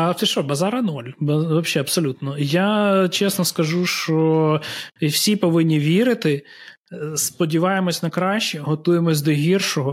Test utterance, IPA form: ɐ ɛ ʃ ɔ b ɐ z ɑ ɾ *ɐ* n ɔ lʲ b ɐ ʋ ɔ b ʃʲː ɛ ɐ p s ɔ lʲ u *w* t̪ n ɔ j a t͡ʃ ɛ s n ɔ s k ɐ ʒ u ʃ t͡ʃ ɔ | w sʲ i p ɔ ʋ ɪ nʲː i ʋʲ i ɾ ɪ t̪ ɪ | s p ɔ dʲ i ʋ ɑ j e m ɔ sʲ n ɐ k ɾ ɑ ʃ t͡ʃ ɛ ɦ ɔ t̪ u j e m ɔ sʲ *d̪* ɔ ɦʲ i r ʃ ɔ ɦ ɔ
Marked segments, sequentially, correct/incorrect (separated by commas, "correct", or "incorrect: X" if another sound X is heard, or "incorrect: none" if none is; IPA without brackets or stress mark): correct, incorrect: none, correct